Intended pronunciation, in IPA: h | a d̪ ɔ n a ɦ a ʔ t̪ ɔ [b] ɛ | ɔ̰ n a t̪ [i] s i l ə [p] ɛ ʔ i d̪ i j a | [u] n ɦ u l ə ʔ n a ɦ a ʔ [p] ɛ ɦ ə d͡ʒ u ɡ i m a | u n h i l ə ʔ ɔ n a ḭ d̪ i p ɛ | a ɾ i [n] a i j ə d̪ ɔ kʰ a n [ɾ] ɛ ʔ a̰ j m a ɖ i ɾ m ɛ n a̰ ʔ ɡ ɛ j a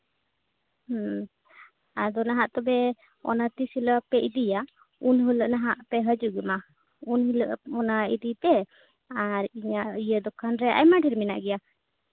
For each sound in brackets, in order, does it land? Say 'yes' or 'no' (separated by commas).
yes, yes, yes, yes, yes, no, yes